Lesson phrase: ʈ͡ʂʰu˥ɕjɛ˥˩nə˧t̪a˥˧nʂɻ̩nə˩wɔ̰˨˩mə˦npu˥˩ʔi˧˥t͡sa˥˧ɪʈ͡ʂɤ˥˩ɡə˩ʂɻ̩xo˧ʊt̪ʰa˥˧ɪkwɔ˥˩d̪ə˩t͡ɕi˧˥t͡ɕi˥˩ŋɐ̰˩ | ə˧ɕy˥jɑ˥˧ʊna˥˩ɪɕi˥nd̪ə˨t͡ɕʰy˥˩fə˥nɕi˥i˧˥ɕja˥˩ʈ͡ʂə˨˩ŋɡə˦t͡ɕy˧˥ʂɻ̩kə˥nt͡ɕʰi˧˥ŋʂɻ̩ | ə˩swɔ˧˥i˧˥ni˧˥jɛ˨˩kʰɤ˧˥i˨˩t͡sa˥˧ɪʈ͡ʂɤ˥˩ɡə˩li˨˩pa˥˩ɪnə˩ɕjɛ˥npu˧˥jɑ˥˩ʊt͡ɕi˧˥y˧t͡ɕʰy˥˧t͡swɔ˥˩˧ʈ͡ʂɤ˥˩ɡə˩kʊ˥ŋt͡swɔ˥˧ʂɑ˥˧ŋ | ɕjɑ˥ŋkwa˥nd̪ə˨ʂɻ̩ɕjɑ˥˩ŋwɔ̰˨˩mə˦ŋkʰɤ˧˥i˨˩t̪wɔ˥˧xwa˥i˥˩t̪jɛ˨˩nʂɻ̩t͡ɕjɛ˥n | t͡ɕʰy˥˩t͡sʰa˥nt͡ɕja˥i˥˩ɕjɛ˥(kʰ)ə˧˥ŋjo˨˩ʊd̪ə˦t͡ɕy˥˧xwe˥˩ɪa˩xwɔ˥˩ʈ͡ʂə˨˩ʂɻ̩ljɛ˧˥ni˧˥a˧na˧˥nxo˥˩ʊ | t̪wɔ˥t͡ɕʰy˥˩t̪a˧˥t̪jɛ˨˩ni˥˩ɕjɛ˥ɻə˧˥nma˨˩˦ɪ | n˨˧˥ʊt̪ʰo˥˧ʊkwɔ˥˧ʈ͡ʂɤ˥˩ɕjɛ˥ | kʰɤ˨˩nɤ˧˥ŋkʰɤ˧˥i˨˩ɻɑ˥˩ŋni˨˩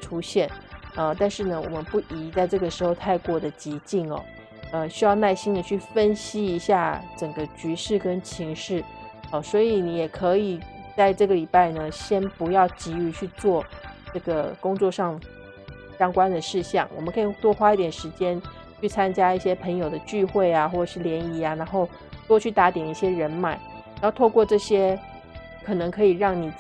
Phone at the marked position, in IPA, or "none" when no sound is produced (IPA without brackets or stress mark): pʰ